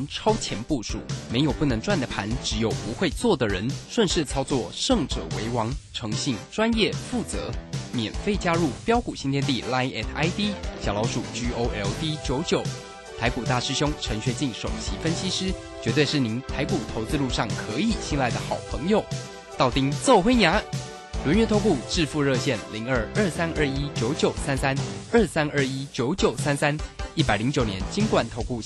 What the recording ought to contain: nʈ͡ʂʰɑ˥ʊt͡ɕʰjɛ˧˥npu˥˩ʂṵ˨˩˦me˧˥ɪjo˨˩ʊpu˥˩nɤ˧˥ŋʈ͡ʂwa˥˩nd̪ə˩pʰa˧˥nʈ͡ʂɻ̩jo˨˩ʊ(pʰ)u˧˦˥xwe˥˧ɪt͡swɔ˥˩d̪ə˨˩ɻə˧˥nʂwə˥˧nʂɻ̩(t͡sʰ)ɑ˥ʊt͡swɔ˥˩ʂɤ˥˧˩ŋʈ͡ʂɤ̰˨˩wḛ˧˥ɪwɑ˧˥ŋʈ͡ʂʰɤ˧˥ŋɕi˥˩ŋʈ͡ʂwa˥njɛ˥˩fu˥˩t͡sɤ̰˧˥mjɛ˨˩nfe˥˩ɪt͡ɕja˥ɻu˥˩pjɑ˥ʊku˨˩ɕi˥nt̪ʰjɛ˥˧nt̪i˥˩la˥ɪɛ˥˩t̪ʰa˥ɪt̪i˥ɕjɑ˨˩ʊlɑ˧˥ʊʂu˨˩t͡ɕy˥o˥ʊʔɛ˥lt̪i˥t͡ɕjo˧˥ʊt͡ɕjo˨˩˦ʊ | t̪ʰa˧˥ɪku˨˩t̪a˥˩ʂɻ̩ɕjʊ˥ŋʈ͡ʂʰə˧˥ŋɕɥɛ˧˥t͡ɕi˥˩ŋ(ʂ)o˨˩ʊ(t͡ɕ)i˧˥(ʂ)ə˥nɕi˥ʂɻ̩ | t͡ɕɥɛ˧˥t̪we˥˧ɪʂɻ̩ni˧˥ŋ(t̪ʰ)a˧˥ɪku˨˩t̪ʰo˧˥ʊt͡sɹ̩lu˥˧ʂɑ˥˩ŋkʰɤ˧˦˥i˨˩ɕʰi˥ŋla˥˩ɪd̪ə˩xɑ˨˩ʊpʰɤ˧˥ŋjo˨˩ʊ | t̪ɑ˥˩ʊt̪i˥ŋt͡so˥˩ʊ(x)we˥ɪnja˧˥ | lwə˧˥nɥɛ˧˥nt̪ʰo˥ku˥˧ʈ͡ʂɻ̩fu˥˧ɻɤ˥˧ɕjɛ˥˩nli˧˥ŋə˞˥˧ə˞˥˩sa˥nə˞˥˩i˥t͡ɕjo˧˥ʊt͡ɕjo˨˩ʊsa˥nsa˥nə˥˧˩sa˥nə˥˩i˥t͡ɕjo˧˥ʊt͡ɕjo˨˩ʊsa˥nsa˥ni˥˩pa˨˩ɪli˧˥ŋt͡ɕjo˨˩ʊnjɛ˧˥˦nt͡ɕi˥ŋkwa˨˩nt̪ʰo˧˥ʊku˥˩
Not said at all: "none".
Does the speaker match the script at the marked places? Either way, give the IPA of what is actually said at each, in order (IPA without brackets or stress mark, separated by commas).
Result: p, t͡sʰ, ʂ, t͡ɕʰ, f, t̪ʰ, x